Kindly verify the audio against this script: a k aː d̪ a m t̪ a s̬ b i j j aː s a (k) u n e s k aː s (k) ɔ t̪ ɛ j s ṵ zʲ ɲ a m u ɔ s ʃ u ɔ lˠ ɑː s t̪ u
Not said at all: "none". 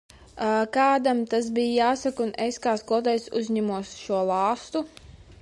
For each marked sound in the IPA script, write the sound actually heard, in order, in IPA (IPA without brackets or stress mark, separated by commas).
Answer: k, k